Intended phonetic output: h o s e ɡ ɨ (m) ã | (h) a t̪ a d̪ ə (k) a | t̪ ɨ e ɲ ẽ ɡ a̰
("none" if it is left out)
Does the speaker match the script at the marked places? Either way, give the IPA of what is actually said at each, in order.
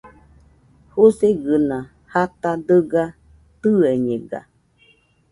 n, h, ɡ

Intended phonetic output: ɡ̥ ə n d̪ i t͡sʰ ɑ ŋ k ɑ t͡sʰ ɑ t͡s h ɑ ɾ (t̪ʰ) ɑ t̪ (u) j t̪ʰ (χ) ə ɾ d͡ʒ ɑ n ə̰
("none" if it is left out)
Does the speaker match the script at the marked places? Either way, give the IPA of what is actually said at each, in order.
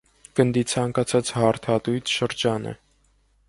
t̪ʰ, u, ʃ

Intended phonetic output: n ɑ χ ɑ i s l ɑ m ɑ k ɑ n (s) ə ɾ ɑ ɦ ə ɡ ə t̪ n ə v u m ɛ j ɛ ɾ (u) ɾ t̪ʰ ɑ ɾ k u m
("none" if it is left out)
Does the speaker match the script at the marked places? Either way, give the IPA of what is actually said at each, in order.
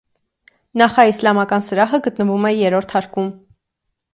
s, ɔ

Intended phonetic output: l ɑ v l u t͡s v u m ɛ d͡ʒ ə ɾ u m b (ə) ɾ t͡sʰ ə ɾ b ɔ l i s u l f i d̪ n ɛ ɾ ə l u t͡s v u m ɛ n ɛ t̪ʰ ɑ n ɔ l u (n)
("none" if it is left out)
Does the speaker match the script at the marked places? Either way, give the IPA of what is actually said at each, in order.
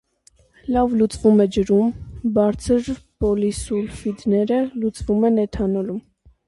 ɑ, m

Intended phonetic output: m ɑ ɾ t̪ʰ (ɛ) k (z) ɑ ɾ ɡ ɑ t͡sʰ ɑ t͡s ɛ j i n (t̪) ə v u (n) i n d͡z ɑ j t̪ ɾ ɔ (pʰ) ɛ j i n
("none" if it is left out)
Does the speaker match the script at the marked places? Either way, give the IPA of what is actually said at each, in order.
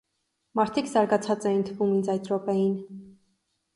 i, z, t̪ʰ, m, p

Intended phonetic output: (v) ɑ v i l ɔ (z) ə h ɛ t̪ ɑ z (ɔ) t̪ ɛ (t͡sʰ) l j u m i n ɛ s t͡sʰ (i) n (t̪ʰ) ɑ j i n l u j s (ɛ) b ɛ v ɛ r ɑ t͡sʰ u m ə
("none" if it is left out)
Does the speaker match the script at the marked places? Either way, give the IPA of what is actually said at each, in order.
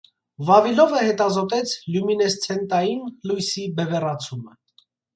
v, v, ɔ, t͡sʰ, ɛ, t̪, i

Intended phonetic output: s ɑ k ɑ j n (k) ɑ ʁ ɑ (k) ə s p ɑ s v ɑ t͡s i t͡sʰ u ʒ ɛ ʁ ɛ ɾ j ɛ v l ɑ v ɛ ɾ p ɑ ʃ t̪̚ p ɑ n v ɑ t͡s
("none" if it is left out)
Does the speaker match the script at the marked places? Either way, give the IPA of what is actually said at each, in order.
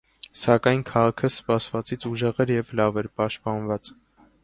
kʰ, kʰ

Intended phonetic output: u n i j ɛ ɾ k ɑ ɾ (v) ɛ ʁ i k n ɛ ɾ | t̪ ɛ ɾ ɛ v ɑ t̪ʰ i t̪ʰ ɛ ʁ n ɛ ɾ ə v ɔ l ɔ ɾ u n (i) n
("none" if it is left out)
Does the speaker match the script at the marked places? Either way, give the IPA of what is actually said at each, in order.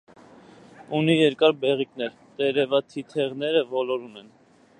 b, ɛ

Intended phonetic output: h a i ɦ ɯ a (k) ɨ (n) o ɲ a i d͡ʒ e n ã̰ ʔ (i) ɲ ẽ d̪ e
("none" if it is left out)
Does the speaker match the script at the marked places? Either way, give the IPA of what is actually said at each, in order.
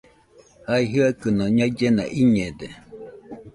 k, n, i

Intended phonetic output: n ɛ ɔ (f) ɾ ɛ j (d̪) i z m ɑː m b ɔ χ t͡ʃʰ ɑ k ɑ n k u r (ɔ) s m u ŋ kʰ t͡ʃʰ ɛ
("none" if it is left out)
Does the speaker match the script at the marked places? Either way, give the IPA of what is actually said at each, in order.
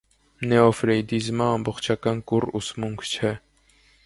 f, d̪, u

